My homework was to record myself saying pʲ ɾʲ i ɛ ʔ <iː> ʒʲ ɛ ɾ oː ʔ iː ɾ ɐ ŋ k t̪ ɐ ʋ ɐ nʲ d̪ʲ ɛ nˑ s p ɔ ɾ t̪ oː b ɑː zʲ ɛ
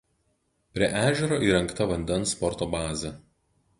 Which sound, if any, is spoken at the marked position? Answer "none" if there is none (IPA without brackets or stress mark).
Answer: æː